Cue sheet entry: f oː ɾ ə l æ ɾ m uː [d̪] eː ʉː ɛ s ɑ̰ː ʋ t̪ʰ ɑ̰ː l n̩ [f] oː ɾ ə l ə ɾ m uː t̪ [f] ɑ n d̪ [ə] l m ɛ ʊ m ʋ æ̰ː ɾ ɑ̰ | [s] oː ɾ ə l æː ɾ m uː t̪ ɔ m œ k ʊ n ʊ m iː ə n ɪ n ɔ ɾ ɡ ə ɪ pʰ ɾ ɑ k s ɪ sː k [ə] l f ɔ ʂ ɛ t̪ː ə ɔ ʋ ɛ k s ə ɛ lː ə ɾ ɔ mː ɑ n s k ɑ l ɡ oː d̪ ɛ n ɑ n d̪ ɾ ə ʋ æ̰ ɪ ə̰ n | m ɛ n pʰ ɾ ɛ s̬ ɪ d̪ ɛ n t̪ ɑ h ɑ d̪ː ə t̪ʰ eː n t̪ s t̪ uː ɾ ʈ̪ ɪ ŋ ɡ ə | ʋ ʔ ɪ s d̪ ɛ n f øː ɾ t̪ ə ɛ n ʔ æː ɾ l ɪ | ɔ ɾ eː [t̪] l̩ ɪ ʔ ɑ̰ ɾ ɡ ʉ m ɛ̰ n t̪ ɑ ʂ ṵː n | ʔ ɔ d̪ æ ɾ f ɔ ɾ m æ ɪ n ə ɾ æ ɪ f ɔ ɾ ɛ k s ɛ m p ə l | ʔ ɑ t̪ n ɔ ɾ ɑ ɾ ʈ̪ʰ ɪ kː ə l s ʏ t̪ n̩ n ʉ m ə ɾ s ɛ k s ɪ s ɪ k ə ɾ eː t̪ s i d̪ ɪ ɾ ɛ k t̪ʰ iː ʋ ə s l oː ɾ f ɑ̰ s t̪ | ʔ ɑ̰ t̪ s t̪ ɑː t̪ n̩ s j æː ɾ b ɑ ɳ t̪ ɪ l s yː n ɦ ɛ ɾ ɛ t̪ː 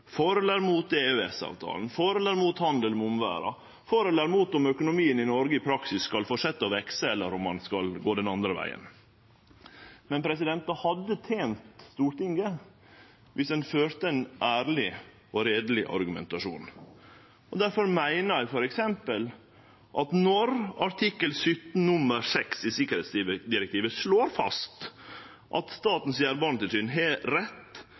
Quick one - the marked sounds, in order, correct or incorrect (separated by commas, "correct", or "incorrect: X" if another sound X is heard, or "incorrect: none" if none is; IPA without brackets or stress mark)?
incorrect: t̪, correct, incorrect: h, correct, incorrect: f, incorrect: ɑ, incorrect: d̪